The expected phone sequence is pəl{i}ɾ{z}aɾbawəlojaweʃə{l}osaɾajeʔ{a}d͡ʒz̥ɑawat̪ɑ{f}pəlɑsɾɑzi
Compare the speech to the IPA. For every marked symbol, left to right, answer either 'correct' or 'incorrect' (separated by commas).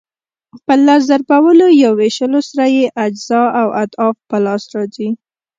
incorrect, correct, correct, correct, correct